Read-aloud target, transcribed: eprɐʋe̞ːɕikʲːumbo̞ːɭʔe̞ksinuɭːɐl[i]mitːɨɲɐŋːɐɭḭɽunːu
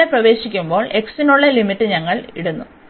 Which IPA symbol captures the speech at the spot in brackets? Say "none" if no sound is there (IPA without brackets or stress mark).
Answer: i